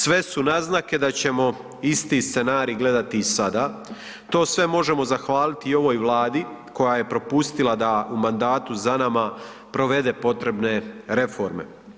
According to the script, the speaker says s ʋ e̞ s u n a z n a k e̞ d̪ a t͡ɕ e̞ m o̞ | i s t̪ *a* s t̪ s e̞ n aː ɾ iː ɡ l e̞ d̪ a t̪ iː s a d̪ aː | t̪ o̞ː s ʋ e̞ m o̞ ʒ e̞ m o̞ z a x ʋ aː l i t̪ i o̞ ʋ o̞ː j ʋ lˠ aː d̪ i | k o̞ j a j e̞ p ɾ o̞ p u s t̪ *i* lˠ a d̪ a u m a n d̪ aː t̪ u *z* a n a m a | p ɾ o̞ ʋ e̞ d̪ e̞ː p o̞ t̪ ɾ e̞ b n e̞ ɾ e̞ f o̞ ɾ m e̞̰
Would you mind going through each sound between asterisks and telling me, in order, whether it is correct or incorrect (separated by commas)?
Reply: incorrect, correct, correct